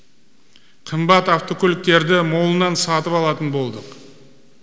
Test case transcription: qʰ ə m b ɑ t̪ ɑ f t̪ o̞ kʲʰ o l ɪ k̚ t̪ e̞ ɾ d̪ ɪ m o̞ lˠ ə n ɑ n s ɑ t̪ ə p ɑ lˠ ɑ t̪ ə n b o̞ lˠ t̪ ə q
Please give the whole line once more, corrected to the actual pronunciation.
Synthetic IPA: qʰ ə m b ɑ t̪ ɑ f t̪ o̞ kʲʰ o l ɪ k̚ t̪ e̞ ɾ d̪ ɪ m o̞ lˠ ə n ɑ n s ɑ t̪ ə p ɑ lˠ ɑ t̪ ə n b o̞ lˠ d̪ ə q